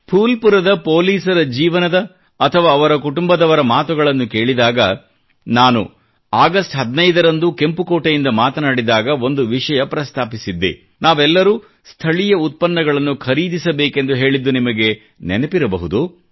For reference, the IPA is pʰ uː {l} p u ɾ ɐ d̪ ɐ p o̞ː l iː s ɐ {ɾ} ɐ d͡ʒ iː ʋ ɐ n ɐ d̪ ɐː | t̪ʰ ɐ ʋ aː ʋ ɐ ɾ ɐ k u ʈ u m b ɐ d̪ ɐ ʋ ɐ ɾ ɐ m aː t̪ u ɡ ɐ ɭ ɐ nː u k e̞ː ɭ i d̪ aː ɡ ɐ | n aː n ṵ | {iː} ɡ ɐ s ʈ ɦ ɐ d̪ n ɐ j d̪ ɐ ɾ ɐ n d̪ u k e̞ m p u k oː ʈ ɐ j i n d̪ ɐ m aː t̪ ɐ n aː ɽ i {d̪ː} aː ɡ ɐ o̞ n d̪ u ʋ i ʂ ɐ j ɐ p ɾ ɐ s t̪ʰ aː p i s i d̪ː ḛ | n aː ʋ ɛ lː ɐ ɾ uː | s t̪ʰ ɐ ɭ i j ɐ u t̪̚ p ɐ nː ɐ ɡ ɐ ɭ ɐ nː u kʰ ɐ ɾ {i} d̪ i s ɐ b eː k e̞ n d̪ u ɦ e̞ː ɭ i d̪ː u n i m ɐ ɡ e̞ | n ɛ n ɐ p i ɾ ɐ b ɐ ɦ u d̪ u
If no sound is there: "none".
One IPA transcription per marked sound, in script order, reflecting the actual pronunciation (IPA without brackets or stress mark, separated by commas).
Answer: l, ɾ, aː, d̪, iː